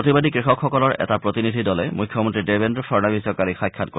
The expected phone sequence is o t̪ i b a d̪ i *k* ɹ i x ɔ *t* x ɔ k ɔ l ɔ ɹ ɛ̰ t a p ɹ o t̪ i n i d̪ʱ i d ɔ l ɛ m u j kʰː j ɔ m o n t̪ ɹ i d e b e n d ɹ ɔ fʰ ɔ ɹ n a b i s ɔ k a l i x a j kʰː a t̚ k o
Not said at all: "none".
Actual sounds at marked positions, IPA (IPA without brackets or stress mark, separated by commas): k, k